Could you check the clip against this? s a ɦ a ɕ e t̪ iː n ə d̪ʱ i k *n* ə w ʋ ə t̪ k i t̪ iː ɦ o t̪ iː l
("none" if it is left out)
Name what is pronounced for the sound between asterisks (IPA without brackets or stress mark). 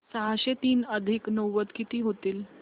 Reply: n